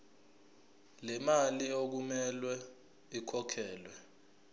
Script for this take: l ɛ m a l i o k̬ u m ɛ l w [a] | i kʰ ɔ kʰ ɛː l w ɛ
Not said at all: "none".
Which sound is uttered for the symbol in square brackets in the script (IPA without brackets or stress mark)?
ɛ